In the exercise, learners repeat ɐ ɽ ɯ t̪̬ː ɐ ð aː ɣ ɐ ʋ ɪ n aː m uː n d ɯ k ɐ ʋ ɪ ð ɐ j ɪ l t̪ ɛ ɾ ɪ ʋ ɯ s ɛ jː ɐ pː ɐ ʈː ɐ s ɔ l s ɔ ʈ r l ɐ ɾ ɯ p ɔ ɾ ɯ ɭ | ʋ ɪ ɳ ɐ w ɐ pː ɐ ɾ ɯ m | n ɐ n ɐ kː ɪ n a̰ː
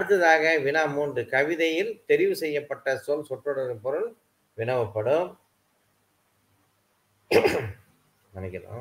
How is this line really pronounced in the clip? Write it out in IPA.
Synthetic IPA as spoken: ɐ ɽ ɯ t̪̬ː ɐ ð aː ɣ ɐ ʋ ɪ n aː m uː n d ɯ k ɐ ʋ ɪ ð ɐ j ɪ l t̪ ɛ ɾ ɪ ʋ ɯ s ɛ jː ɐ pː ɐ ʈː ɐ s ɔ l s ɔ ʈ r ɽ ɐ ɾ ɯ p ɔ ɾ ɯ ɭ | ʋ ɪ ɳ ɐ ʋ ɐ pː ɐ ɽ ɯ m | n ɐ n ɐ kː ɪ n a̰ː